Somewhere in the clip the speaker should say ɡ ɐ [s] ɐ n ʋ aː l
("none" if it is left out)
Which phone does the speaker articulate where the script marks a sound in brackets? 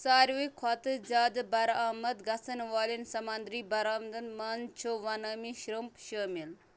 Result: s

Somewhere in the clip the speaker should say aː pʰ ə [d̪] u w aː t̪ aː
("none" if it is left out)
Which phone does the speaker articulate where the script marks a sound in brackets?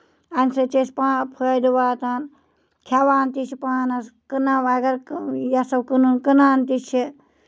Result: d̪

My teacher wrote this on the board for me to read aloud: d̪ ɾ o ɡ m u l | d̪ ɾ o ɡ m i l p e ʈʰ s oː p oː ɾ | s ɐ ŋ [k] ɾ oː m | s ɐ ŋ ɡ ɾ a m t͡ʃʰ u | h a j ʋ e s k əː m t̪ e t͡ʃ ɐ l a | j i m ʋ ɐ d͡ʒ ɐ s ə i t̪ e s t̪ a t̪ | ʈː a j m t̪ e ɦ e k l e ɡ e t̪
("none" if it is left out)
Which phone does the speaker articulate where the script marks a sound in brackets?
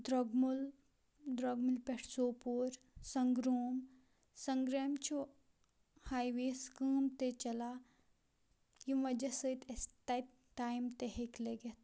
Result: ɡ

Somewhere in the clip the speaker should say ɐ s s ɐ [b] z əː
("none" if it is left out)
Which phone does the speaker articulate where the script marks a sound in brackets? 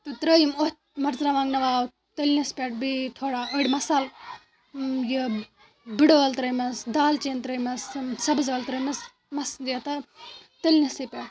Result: b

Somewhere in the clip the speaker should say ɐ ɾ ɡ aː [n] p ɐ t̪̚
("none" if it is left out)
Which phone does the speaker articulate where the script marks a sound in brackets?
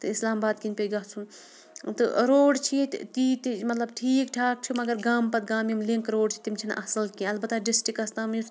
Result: m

